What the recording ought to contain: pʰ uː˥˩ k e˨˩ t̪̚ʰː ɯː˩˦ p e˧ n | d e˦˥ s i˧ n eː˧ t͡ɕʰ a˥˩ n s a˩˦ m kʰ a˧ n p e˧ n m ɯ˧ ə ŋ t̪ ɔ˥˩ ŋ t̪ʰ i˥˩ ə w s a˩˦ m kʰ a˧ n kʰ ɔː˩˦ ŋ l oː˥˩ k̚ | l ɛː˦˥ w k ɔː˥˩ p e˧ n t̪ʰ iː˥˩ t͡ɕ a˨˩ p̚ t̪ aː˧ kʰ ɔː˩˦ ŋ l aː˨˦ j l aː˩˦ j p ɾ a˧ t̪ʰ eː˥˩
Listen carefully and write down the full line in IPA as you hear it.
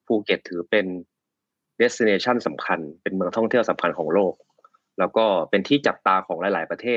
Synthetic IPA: pʰ uː˧ k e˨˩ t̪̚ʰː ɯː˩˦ p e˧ n | d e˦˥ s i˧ n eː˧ t͡ɕʰ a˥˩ n s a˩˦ m kʰ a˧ n p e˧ n m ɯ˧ ə ŋ t̪ʰ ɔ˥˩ ŋ t̪ʰ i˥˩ ə w s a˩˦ m kʰ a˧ n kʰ ɔː˩˦ ŋ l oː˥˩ k̚ | l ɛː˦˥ w k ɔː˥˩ p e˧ n t̪ʰ iː˥˩ t͡ɕ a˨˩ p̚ t̪ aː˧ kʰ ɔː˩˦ ŋ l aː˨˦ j l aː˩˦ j p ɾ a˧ t̪ʰ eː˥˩